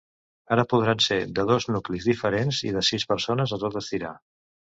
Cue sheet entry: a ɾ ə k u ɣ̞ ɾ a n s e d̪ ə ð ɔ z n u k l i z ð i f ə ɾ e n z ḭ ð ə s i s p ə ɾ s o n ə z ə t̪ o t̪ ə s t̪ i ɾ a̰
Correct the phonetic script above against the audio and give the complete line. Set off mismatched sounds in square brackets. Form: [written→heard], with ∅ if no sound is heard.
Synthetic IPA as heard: a ɾ ə [k→p] u [ɣ̞→ð̞] ɾ a n s e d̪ ə ð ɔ z n u k l i z ð i f ə ɾ e n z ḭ ð ə s i s p ə ɾ s o n ə z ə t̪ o t̪ ə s t̪ i ɾ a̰